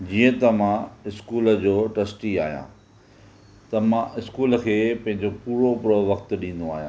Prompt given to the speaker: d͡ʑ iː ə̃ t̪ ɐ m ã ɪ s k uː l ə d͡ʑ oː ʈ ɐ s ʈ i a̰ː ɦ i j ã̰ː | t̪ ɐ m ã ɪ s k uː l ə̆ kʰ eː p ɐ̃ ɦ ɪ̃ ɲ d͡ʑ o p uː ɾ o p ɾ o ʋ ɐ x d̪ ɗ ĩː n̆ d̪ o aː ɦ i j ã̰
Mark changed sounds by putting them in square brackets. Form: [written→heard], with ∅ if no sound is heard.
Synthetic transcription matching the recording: d͡ʑ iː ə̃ t̪ ɐ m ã ɪ s k uː l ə d͡ʑ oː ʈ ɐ s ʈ i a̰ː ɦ i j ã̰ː | t̪ ɐ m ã ɪ s k uː l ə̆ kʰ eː p ɐ̃ ɦ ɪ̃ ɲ d͡ʑ o p uː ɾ o p ɾ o ʋ ɐ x [d̪→t̪] ɗ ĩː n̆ d̪ o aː ɦ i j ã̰